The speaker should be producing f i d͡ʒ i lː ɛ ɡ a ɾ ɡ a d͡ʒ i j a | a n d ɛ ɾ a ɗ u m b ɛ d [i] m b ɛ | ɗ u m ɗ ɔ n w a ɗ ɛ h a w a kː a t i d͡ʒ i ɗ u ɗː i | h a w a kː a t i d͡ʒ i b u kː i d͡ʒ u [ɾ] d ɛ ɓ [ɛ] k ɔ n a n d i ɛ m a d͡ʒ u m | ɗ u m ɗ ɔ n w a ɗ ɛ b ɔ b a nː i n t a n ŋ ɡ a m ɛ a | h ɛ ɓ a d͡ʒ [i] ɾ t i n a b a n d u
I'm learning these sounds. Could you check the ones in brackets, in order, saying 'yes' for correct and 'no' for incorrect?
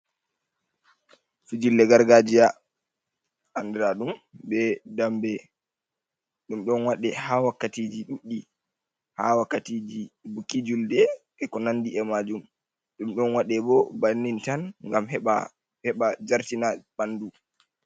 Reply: no, no, yes, no

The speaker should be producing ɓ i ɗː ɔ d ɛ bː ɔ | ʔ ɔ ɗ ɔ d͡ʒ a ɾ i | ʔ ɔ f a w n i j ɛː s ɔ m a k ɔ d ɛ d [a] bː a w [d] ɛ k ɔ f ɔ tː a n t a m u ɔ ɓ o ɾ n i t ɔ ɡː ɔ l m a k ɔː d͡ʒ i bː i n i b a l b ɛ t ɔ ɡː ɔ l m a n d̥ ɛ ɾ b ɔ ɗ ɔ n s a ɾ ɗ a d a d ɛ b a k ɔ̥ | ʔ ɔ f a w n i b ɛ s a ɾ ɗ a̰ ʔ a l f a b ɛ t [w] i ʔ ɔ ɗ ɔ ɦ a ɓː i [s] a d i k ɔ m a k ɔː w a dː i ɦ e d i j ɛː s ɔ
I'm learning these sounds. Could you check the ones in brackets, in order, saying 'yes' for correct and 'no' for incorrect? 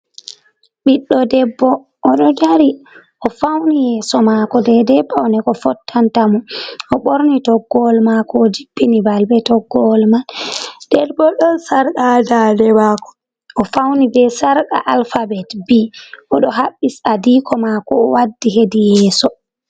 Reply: no, no, no, yes

